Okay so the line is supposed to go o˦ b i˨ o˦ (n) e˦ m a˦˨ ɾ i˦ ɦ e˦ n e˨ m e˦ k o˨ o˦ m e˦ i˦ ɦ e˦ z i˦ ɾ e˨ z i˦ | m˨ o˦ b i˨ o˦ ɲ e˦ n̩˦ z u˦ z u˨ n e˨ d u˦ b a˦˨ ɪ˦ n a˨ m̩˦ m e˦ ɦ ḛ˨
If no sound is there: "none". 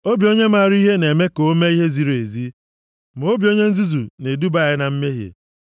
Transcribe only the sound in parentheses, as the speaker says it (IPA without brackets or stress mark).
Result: ɲ